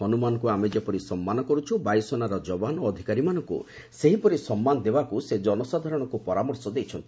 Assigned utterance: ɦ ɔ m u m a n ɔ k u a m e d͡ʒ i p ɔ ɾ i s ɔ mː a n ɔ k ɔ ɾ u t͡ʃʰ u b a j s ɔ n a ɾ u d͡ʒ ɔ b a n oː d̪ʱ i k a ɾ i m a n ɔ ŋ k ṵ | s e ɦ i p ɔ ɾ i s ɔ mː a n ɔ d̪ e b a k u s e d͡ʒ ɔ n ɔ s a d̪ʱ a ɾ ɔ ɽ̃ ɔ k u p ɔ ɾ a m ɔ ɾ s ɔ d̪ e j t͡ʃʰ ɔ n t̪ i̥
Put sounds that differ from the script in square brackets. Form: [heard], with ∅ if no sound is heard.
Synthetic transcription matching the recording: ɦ ɔ [n] u m a n ɔ k u a m e d͡ʒ [e] p ɔ ɾ i s ɔ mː a n ɔ k ɔ ɾ u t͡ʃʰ u b a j s ɔ n a ɾ [ɔ] d͡ʒ ɔ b a n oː d̪ʱ i k a ɾ i m a n ɔ ŋ k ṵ | s e ɦ i p ɔ ɾ i s ɔ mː a n ɔ d̪ e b a k u s e d͡ʒ ɔ n ɔ s a d̪ʱ a ɾ ɔ ɽ̃ ɔ k u p ɔ ɾ a m ɔ ɾ s ɔ d̪ e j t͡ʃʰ ɔ n t̪ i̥